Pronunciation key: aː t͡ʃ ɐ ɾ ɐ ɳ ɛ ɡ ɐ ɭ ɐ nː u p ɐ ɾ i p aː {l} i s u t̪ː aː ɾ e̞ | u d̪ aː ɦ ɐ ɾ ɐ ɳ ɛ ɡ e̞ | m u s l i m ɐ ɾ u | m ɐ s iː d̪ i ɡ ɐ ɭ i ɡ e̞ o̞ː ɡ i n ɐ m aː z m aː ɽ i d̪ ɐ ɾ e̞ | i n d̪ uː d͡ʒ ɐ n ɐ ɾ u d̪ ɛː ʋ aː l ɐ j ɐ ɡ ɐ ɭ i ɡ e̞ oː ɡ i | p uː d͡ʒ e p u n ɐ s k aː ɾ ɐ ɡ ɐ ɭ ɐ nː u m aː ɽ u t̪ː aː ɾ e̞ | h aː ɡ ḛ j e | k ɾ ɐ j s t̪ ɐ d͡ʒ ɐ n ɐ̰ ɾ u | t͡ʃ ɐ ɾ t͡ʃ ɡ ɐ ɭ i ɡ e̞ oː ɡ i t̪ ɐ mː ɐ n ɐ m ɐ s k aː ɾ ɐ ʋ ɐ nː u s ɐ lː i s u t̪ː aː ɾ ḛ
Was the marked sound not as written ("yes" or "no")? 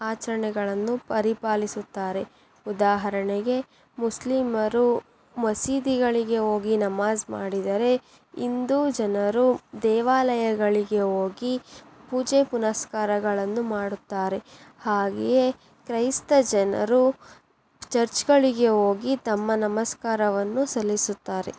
no